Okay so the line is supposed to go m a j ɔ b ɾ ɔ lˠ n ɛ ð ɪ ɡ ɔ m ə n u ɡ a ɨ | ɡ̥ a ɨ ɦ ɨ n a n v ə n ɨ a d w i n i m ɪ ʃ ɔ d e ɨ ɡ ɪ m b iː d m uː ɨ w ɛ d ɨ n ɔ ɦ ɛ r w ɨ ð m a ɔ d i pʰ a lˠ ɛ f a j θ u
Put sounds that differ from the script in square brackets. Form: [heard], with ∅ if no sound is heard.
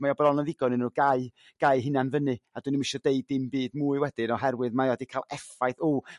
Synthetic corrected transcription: m a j ɔ b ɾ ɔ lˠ n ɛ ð ɪ ɡ ɔ [n] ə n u ɡ a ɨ | ɡ̥ a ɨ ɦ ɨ n a n v ə n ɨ a d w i n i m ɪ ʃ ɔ d e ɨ [d] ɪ m b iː d m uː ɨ w ɛ d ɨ n ɔ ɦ ɛ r w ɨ ð m a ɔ d i [kʰ] a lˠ ɛ f a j θ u